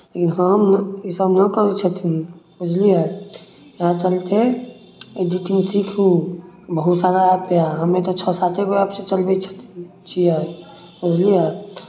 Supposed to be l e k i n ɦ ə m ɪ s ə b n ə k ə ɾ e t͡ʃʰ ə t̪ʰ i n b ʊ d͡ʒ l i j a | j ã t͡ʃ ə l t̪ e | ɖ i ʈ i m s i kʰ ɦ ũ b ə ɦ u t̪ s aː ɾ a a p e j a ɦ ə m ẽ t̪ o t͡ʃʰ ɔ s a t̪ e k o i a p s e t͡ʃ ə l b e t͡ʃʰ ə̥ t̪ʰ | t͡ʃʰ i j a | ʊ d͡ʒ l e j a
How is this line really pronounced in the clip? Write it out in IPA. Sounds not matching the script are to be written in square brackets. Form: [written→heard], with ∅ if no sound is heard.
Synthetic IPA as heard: l e k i n ɦ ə m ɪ s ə b n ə k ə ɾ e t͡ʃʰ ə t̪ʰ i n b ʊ d͡ʒ l i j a | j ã t͡ʃ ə l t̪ e | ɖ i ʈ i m s i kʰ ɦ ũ b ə ɦ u t̪ s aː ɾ a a p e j a ɦ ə m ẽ t̪ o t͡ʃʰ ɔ s a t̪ e k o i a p s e t͡ʃ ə l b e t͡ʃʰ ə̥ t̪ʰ | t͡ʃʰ i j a | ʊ d͡ʒ l [e→i] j a

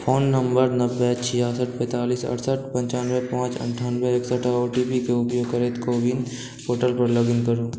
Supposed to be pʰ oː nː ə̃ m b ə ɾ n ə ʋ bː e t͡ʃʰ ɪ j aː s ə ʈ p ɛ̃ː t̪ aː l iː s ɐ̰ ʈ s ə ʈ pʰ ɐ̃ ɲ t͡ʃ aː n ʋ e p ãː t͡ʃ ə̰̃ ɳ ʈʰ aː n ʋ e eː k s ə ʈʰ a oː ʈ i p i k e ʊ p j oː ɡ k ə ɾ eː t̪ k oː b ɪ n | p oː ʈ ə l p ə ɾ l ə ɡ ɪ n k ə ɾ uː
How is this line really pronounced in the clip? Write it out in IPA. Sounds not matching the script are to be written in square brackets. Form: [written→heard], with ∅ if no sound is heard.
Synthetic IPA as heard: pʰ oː nː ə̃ m b ə ɾ n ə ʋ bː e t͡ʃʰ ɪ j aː s ə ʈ p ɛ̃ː t̪ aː l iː s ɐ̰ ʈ s ə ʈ [pʰ→p] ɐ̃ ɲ t͡ʃ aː n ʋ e p ãː t͡ʃ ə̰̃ ɳ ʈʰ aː n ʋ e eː k s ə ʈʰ a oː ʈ i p i k e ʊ p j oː ɡ k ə ɾ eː t̪ k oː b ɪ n | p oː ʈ ə l p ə ɾ l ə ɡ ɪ n k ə ɾ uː

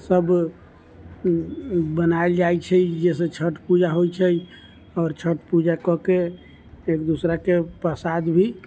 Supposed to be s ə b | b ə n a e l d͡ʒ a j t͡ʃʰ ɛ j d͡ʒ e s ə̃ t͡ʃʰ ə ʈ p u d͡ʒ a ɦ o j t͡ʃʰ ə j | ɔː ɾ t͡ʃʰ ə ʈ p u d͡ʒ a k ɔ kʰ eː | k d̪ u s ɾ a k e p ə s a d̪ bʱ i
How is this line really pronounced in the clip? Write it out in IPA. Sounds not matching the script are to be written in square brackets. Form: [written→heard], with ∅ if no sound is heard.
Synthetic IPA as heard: s ə b | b ə n a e l d͡ʒ a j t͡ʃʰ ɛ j d͡ʒ e s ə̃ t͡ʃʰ ə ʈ p u d͡ʒ a ɦ o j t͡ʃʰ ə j | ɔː ɾ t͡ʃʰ ə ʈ p u d͡ʒ a k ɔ [kʰ→k] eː | k d̪ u s ɾ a k e p ə s a d̪ bʱ i

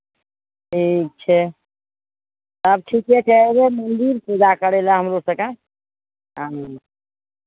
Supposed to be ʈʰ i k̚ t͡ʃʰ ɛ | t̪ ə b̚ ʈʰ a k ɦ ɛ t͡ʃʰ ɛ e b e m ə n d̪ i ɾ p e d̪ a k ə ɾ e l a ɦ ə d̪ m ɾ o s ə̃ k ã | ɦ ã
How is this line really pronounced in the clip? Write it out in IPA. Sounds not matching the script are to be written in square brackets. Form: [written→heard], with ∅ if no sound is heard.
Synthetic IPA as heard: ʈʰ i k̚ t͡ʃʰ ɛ | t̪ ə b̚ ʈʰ [a→i] k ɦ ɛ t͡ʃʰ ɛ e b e m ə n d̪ i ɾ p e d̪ a k ə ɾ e l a ɦ ə [d̪→∅] m ɾ o s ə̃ k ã | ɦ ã

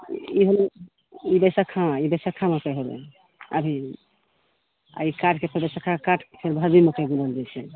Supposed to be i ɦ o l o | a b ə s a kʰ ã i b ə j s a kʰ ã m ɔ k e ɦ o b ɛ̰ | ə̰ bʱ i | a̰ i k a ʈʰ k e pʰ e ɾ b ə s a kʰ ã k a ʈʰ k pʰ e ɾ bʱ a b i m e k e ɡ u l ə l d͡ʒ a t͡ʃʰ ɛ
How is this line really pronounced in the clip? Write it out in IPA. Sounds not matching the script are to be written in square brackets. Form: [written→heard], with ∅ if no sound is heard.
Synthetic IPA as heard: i ɦ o l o | [a→i] b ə s a kʰ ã i b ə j s a kʰ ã m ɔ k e ɦ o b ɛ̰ | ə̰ bʱ i | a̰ i k a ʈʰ k e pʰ e ɾ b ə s a kʰ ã k a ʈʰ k pʰ e ɾ bʱ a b i m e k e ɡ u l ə l d͡ʒ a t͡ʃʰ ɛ

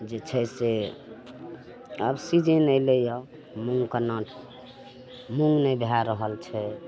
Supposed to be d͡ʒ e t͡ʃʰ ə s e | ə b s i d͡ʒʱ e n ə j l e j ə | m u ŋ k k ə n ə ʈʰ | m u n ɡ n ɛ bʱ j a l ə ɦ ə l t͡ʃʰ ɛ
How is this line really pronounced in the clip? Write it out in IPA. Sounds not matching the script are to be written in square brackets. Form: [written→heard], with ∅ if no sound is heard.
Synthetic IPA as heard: d͡ʒ e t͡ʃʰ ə s e | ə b s i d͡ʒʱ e n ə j l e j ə | m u ŋ [k→ɡ] k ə n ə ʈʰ | m u [n→ŋ] ɡ n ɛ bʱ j a [l→ɾ] ə ɦ ə l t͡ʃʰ ɛ

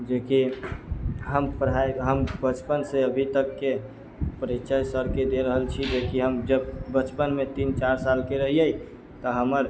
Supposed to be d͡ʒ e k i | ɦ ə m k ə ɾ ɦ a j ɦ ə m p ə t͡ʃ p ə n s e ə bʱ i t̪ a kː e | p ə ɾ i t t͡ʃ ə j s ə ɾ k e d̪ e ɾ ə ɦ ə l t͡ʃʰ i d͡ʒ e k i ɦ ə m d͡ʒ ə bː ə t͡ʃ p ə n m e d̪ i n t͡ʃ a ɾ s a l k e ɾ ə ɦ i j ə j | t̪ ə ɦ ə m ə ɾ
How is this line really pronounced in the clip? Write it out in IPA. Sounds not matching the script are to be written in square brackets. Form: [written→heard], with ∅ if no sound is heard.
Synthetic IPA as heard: d͡ʒ e k i | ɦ ə m [k→p] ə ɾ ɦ a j ɦ ə m [p→b] ə t͡ʃ p ə n s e ə bʱ i t̪ [a→ə] kː e | p ə ɾ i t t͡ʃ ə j s ə ɾ k e d̪ e ɾ ə ɦ ə l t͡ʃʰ i d͡ʒ e k i ɦ ə m d͡ʒ ə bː ə t͡ʃ p ə n m e [d̪→t̪] i n t͡ʃ a ɾ s a l k e ɾ ə ɦ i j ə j | t̪ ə ɦ ə m ə ɾ

